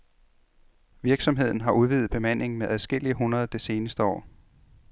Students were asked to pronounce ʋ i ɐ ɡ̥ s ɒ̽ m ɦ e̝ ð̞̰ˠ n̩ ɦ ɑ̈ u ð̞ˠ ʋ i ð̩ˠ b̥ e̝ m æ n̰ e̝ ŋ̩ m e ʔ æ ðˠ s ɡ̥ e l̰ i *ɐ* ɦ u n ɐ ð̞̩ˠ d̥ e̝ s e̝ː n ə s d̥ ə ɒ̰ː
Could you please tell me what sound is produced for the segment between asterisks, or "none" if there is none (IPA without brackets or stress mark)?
ə